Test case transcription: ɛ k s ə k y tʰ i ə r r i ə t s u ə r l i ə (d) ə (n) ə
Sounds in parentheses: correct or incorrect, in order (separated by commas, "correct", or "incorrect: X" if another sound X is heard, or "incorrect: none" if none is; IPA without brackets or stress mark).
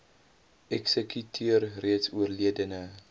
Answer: correct, correct